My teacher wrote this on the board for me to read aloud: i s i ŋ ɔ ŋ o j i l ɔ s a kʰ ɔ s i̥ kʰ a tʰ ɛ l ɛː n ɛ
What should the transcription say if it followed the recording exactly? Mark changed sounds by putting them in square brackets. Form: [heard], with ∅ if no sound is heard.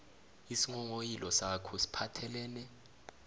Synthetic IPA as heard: i s i ŋ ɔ ŋ o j i l ɔ s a kʰ ɔ s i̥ [pʰ] a tʰ ɛ l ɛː n ɛ